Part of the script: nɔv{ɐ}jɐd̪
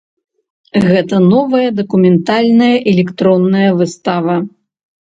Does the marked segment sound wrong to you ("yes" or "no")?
no